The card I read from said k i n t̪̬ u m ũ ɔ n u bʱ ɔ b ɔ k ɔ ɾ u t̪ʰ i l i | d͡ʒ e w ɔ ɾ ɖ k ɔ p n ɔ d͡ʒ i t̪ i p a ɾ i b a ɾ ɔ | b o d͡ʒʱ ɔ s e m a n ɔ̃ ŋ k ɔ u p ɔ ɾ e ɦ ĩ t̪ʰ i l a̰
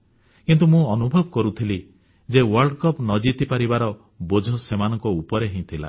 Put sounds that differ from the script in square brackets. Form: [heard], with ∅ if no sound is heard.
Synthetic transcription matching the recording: k i n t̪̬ u m ũ ɔ n u bʱ ɔ b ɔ k ɔ ɾ u t̪ʰ i l i | d͡ʒ e w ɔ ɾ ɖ k ɔ p n ɔ d͡ʒ i t̪ i p a ɾ i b a ɾ ɔ | b o d͡ʒʱ ɔ s e m a n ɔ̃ ŋ k ɔ u p ɔ ɾ e ɦ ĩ t̪ʰ i l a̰